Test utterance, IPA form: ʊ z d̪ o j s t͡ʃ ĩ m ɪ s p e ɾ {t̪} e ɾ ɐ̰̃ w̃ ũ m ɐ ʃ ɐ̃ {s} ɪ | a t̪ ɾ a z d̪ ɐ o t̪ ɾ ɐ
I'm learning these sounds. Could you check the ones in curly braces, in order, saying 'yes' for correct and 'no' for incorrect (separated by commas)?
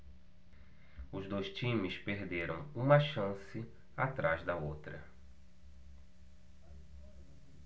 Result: no, yes